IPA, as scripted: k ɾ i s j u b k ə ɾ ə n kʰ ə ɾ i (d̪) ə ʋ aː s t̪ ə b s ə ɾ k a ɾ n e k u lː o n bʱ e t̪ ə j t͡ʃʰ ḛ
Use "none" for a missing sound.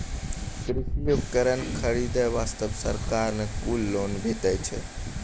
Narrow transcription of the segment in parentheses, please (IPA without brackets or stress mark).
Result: d̪